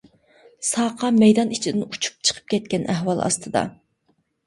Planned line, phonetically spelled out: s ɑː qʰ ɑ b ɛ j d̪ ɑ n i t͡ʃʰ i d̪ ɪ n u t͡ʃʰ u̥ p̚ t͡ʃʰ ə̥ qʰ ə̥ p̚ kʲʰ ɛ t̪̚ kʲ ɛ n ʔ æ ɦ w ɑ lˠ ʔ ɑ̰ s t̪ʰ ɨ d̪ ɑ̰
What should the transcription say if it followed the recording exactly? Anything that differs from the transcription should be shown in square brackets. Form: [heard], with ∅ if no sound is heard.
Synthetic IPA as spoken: s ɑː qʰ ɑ [m] ɛ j d̪ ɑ n i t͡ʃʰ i d̪ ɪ n u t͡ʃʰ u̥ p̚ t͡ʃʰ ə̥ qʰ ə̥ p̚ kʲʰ ɛ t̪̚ kʲ ɛ n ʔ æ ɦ w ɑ lˠ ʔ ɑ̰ s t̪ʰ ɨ d̪ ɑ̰